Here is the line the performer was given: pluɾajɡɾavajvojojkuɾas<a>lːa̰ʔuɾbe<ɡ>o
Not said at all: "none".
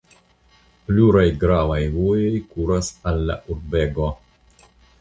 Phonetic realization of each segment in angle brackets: a, ɡ

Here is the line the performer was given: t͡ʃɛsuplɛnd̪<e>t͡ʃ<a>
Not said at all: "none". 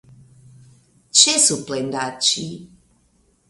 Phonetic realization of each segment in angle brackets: a, i

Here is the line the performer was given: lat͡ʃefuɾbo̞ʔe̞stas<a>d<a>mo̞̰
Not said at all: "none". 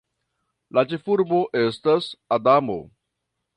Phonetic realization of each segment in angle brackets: a, a

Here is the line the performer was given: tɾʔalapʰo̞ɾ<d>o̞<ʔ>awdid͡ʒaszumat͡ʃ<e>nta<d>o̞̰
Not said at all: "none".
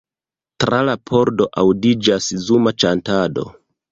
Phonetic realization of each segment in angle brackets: d, ʔ, a, d

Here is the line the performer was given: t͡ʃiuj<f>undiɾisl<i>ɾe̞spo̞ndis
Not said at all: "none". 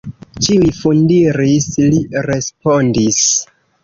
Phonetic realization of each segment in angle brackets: f, i

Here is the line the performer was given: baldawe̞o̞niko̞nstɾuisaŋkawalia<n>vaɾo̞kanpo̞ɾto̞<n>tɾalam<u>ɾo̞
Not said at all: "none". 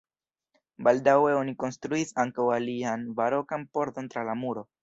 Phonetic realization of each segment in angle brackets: n, n, u

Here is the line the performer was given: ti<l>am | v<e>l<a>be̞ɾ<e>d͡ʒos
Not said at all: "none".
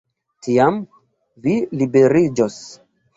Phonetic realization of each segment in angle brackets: none, i, i, i

